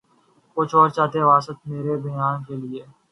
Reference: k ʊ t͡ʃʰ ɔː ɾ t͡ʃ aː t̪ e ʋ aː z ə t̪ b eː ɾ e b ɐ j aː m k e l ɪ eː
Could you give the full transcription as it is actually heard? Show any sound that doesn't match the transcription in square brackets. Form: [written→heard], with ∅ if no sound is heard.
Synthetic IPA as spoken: k ʊ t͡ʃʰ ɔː ɾ t͡ʃ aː t̪ e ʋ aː [z→s] ə t̪ [b→m] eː ɾ e b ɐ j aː [m→n] k e l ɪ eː